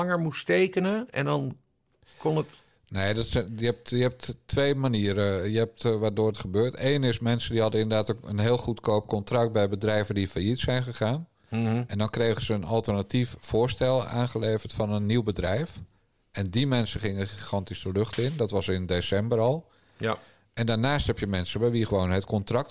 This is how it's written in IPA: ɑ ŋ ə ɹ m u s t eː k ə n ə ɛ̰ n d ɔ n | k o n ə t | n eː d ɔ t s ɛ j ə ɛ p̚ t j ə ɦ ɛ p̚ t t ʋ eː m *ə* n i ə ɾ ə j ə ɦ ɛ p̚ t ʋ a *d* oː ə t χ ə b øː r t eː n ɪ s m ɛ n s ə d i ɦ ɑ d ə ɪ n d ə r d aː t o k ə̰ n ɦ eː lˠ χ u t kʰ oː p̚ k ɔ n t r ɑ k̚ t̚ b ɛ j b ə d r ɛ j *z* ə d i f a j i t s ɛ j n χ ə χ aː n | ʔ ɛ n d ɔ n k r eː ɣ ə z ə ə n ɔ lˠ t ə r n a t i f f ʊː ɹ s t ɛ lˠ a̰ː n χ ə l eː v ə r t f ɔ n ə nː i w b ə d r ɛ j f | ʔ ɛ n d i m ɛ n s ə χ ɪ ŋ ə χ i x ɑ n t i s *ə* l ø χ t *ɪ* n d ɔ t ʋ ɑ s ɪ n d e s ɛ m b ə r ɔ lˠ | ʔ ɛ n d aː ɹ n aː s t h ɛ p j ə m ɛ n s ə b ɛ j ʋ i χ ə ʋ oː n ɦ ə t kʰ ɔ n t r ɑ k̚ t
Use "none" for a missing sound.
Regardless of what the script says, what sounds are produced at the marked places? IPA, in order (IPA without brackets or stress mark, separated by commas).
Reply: a, d, v, ə, ɪ